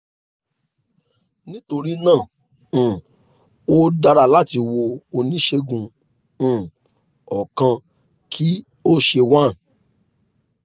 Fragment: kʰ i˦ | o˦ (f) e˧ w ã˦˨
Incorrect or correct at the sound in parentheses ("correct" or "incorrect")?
incorrect